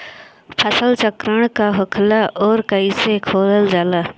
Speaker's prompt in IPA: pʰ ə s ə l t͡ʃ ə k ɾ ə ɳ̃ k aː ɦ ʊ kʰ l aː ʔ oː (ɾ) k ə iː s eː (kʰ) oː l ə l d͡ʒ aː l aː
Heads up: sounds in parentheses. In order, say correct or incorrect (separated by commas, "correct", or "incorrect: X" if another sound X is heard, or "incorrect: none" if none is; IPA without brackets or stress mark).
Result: correct, correct